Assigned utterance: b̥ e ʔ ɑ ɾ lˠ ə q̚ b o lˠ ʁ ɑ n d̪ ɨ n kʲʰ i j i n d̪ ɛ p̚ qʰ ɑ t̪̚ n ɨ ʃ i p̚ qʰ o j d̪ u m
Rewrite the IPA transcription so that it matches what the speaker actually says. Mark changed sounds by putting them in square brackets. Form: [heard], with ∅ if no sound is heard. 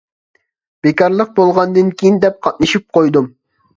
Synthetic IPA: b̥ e [k] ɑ ɾ lˠ ə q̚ b o lˠ ʁ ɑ n d̪ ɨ n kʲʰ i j i n d̪ ɛ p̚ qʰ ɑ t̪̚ n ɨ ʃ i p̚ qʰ o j d̪ u m

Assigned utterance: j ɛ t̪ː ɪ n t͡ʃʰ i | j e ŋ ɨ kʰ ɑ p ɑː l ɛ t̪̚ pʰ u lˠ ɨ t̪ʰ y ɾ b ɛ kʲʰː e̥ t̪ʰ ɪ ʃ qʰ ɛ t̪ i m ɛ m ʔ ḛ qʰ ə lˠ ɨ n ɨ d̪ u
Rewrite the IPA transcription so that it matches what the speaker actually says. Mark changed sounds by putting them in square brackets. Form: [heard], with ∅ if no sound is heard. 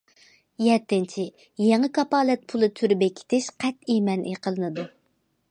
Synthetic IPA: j ɛ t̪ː ɪ n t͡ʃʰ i | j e ŋ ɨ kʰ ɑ p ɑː l ɛ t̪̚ pʰ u lˠ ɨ t̪ʰ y ɾ b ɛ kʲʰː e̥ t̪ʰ ɪ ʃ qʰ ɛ t̪ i m ɛ [n] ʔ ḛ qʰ ə lˠ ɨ n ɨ d̪ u

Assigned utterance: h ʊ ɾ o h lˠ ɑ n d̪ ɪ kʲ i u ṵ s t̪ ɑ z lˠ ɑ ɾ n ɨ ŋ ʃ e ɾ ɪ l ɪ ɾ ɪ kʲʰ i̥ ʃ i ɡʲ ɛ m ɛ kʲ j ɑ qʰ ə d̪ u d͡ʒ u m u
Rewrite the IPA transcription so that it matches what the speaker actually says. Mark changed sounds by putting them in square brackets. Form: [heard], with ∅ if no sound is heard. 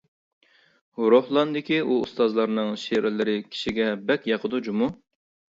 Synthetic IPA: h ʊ ɾ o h lˠ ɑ n d̪ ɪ kʲ i u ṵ s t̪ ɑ z lˠ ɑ ɾ n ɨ ŋ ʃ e ɾ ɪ l ɪ ɾ ɪ kʲʰ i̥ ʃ i ɡʲ ɛ [b] ɛ kʲ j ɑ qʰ ə d̪ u d͡ʒ u m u

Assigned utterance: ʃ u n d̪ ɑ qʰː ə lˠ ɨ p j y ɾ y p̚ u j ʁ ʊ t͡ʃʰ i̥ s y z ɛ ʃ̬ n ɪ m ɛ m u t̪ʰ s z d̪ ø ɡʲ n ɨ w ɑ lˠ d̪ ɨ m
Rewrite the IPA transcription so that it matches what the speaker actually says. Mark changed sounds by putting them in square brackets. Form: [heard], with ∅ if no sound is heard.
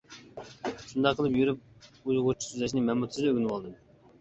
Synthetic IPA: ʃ u n d̪ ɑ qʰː ə lˠ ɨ p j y ɾ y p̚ u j ʁ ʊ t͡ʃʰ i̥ s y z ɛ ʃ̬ n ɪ m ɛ m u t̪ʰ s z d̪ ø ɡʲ n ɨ w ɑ lˠ d̪ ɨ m

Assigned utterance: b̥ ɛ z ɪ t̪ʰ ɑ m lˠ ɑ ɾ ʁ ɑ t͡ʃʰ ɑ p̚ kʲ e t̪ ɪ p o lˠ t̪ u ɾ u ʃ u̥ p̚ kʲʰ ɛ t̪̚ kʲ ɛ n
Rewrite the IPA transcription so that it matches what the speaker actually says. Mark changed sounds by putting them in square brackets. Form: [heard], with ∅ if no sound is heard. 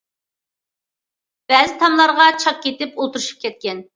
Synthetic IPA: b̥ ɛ z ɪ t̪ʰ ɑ m lˠ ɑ ɾ ʁ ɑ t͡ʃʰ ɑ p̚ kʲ e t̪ ɪ p o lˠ t̪ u ɾ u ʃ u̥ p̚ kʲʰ ɛ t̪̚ kʲ ɛ n

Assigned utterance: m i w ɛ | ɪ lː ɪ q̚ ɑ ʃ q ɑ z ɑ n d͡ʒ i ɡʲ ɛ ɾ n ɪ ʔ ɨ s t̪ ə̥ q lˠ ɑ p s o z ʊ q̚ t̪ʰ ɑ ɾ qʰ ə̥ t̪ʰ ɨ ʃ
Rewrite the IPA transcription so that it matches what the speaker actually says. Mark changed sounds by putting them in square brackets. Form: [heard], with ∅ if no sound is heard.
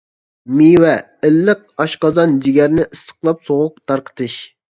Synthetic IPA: m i w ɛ | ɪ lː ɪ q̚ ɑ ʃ q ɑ z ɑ n d͡ʒ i ɡʲ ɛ ɾ n ɪ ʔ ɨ s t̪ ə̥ q lˠ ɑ p s o [ʁ] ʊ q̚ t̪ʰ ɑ ɾ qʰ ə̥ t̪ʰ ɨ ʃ

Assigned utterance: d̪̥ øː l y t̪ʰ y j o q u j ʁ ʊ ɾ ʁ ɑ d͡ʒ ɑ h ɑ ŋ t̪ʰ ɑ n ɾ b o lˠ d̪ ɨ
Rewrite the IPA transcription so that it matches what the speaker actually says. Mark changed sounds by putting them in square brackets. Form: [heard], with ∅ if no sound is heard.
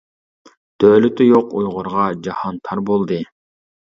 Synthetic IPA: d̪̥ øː l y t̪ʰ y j o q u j ʁ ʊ ɾ ʁ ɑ d͡ʒ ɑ h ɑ [n] t̪ʰ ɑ [∅] ɾ b o lˠ d̪ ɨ

